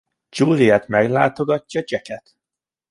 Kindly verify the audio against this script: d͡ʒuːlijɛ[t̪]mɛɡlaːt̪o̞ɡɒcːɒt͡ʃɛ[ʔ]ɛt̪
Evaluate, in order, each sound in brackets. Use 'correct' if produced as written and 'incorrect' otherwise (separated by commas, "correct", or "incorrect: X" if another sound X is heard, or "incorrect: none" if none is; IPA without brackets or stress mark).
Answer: correct, incorrect: k